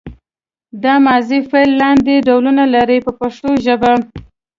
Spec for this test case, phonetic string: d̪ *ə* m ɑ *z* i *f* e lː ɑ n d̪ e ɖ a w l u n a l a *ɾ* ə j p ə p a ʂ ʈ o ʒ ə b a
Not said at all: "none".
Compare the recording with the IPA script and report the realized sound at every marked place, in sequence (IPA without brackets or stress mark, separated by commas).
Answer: ɑ, z, f, ɾ